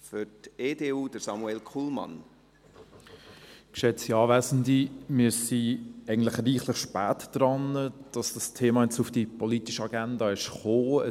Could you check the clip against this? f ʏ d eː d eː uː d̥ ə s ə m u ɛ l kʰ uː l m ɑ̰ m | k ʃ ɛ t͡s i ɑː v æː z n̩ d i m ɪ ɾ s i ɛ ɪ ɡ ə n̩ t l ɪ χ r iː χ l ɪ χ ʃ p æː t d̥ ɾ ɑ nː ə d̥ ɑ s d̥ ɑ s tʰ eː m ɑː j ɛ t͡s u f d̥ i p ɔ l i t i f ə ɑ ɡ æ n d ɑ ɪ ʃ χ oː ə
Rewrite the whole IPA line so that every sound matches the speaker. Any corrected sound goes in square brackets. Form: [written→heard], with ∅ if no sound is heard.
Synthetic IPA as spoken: f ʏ [d→t] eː d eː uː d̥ ə s [ə→ɑ] m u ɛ l kʰ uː l m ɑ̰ [m→n] | k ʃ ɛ t͡s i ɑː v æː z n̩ d i m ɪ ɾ s i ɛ ɪ ɡ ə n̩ t l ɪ χ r iː χ l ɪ χ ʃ p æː t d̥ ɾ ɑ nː ə d̥ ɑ s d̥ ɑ s tʰ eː m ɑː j ɛ t͡s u f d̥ i p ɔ l i t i [f→ʃ] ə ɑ ɡ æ n d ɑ ɪ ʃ χ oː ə